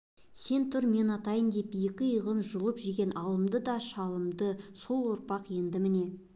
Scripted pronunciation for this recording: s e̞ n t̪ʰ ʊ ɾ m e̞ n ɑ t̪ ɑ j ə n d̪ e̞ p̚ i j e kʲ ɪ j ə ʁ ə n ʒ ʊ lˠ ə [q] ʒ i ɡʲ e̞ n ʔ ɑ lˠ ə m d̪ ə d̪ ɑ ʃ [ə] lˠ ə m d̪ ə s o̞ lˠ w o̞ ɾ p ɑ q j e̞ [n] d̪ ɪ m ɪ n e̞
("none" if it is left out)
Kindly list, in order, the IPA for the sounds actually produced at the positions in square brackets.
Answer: p, ɑ, n

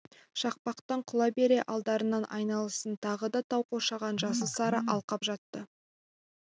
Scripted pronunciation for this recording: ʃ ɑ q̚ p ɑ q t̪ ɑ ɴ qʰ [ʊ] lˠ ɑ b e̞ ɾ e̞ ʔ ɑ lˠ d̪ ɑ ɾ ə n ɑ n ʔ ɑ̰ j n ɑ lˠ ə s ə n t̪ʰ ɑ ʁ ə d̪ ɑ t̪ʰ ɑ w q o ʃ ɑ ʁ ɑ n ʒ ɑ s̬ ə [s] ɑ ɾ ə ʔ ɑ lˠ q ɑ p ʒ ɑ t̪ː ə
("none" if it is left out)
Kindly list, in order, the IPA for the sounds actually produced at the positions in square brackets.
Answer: ʊ, s

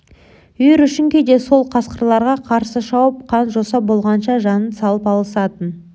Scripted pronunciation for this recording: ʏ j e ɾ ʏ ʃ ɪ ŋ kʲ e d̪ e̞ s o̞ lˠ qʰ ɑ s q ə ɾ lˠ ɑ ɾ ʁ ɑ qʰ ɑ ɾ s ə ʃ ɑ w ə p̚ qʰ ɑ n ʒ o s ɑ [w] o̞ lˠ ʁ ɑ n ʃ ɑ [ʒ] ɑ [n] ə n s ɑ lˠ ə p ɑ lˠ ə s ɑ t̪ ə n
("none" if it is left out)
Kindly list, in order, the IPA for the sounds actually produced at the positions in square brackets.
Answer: b, ʒ, n

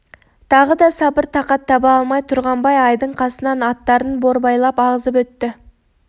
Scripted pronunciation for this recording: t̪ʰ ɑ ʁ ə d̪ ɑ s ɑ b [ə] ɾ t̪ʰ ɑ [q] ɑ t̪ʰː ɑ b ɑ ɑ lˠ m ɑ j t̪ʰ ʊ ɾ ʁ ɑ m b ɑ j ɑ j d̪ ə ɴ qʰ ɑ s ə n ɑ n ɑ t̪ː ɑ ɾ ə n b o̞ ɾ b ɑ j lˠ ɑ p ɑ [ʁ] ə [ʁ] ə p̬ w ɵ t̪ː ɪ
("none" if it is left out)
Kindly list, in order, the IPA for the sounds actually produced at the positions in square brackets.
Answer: ə, q, ʁ, z

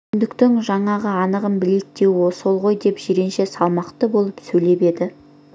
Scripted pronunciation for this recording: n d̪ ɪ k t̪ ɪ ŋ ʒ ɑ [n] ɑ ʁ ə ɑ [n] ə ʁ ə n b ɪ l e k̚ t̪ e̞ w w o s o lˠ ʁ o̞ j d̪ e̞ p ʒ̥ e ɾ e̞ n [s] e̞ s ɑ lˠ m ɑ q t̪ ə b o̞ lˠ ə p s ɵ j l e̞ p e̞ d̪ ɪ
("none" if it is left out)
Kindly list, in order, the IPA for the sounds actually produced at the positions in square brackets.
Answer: ɴ, n, ʃ

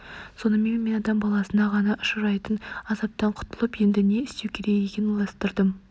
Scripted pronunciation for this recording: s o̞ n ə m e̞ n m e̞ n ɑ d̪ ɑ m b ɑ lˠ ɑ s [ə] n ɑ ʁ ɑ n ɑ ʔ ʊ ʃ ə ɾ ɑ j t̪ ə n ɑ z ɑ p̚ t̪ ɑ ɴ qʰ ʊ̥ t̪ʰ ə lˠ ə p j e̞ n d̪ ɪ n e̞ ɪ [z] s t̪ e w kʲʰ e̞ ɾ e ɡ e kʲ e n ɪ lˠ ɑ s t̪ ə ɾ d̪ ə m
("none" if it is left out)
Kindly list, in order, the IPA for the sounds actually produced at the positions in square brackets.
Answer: ə, none

